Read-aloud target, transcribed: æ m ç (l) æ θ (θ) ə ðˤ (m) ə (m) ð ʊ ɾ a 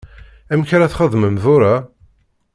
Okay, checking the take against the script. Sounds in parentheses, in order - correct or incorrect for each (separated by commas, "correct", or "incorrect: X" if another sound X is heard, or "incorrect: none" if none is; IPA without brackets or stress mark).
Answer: incorrect: ɾ, incorrect: χ, correct, correct